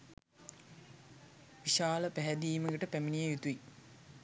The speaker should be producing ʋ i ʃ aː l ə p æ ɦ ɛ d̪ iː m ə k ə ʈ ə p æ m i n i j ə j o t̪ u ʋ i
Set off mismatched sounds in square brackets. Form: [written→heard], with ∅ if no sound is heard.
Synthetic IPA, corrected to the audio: ʋ i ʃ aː l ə p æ ɦ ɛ d̪ iː m ə [k→ɡ] ə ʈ ə p æ m i n i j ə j [o→u] t̪ u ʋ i